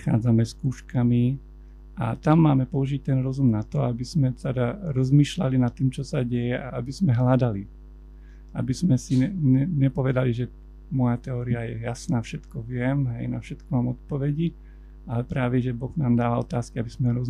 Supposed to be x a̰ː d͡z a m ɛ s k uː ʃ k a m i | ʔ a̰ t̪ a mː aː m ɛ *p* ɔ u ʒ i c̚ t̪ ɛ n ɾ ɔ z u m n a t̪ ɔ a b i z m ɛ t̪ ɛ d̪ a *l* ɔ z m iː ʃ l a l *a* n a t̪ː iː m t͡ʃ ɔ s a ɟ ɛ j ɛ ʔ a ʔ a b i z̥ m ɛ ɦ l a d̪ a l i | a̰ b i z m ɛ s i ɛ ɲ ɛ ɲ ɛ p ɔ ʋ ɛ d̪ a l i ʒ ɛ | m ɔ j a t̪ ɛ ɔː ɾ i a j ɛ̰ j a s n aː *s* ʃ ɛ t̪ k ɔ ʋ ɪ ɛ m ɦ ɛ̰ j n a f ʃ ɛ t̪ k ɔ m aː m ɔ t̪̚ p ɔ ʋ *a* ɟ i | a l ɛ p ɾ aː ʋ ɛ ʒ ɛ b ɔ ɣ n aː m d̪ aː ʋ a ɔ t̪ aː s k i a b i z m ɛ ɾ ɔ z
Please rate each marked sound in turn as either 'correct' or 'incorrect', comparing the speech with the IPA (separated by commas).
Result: correct, incorrect, incorrect, incorrect, incorrect